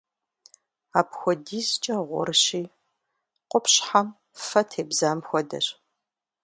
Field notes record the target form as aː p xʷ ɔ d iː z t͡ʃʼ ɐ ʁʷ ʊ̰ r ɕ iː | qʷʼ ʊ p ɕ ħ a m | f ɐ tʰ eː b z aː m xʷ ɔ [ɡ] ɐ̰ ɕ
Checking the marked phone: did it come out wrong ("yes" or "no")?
yes